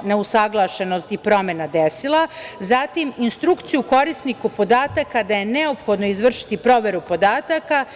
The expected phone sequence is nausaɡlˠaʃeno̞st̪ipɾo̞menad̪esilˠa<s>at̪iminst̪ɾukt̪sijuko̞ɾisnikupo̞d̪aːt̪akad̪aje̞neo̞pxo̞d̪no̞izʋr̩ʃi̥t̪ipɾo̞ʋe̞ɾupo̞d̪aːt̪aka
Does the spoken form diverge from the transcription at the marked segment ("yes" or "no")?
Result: yes